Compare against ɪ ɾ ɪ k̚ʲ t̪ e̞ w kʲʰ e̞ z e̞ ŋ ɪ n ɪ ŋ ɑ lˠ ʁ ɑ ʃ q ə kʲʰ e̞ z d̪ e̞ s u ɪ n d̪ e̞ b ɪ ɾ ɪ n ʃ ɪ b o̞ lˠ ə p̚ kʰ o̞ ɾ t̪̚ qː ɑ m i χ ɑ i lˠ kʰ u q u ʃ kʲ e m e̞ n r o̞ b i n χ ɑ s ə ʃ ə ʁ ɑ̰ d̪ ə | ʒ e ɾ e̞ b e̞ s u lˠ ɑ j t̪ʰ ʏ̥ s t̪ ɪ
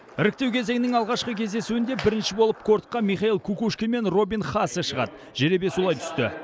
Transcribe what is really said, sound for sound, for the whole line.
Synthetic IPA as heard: ɪ ɾ ɪ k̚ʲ t̪ e̞ w kʲʰ e̞ z e̞ ŋ ɪ n ɪ ŋ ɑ lˠ ʁ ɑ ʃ q ə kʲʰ e̞ z d̪ e̞ s u ɪ n d̪ e̞ b ɪ ɾ ɪ n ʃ ɪ b o̞ lˠ ə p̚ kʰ o̞ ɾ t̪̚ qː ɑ m i χ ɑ i lˠ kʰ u k u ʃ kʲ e m e̞ n r o̞ b i n χ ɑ s ə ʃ ə ʁ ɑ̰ d̪ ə | ʒ e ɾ e̞ b e̞ s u lˠ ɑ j t̪ʰ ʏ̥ s t̪ ɪ